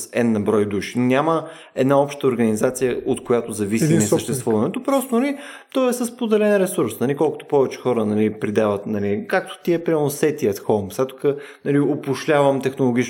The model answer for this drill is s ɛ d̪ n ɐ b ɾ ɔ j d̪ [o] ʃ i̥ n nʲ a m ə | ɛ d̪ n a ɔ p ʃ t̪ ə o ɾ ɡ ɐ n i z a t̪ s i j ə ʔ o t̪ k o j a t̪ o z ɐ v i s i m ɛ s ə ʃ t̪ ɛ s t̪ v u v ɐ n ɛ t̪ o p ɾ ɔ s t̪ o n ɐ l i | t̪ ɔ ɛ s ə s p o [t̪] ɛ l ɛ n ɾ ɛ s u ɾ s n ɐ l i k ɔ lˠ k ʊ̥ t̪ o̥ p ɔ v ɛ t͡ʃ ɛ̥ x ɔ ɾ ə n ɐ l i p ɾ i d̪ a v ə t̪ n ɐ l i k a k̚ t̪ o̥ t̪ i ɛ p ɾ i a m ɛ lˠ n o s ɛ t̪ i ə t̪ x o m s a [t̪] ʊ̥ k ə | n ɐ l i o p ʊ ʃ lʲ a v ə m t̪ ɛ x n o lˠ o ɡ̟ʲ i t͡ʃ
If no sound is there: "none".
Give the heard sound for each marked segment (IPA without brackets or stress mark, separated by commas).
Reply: u, d̪, t̪